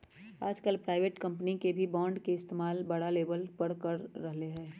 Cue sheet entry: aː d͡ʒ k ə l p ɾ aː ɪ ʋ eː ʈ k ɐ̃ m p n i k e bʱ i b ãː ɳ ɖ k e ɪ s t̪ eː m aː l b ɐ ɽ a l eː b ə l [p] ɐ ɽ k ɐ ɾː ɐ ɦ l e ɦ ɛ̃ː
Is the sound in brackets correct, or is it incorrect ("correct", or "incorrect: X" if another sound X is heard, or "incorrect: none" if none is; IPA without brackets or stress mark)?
correct